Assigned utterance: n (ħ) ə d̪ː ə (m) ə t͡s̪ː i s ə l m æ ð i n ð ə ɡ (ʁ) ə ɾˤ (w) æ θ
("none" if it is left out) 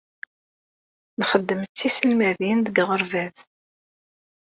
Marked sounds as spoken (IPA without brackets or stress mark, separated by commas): χ, m, ʁ, v